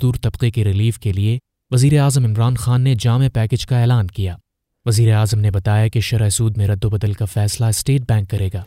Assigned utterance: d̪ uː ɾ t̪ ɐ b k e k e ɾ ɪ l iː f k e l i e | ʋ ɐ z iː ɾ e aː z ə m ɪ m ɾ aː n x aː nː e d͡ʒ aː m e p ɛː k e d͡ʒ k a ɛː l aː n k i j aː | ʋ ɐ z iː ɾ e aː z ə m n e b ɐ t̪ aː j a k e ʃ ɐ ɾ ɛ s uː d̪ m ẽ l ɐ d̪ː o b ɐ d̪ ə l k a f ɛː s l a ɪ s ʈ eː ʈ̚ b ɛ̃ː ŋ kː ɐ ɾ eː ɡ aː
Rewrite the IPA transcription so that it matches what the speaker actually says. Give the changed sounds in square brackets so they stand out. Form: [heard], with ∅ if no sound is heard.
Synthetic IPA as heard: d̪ uː ɾ t̪ ɐ b [q] e k e ɾ ɪ l iː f k e l i e | ʋ ɐ z iː ɾ e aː z ə m ɪ m ɾ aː n x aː nː e d͡ʒ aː m e p ɛː k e d͡ʒ k a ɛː l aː n k i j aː | ʋ ɐ z iː ɾ e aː z ə m n e b ɐ t̪ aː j a k e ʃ ɐ ɾ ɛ s uː d̪ m ẽ [ɾ] ɐ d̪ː o b ɐ d̪ ə l k a f ɛː s l a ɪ s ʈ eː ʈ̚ b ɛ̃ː ŋ kː ɐ ɾ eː ɡ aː